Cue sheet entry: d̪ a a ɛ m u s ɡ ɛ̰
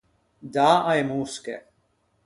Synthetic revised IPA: d̪ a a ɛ m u s k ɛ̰